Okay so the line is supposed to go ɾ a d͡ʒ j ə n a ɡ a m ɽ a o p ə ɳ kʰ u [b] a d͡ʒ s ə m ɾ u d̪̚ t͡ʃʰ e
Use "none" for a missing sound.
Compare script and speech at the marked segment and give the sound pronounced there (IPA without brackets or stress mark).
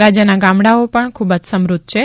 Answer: b